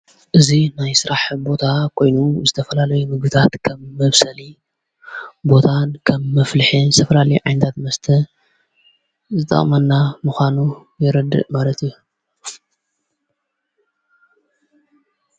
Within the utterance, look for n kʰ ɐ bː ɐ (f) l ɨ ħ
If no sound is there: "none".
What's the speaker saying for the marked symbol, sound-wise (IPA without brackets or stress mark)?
f